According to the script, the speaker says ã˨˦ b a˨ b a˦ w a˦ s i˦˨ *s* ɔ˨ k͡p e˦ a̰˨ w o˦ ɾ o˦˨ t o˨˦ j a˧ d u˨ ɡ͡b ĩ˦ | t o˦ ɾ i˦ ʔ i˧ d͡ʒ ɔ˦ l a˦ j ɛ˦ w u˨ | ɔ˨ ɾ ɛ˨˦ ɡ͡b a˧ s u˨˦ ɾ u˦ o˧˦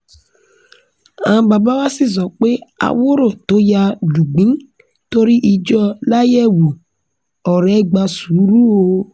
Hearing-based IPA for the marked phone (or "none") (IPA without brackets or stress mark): z